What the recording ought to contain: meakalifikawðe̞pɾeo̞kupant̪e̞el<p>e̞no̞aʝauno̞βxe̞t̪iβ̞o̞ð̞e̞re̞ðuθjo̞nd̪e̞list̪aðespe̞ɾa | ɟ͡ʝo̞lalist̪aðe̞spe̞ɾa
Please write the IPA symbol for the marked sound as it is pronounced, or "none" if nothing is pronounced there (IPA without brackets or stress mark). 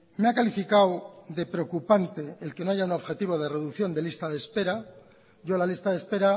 k